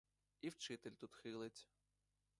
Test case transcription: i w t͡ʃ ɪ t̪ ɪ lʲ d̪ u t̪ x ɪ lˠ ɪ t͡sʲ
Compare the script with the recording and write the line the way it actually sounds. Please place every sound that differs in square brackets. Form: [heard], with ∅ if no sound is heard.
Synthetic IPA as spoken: i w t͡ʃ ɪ t̪ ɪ lʲ [t̪] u t̪ x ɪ lˠ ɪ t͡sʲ